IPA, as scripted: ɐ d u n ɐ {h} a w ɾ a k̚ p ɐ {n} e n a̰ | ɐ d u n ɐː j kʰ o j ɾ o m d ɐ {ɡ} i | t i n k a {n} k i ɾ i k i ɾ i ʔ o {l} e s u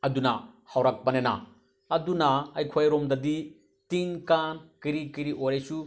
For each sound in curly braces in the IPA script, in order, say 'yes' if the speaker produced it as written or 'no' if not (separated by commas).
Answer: yes, yes, no, yes, no